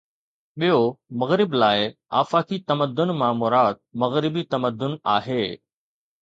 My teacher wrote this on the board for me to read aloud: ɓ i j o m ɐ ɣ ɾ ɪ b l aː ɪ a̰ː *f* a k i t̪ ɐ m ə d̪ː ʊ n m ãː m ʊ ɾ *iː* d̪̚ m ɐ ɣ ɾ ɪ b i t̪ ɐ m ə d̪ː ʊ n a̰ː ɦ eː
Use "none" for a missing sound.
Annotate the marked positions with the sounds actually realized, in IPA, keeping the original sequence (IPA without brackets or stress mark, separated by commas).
f, aː